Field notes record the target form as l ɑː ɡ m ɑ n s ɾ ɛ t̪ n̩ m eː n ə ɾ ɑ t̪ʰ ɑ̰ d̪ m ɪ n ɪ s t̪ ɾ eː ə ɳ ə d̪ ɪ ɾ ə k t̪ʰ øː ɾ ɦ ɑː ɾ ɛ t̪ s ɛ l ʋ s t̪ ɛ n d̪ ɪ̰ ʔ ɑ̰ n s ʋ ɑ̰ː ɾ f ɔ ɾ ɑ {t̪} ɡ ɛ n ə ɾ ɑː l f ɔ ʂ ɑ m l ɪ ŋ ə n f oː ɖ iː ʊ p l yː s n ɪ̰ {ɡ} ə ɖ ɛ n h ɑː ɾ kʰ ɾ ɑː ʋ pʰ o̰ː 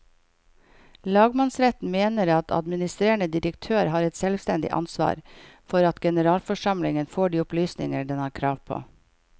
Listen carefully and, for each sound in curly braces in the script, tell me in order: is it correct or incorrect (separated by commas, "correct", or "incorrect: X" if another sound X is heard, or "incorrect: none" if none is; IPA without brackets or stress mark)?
correct, incorrect: ŋ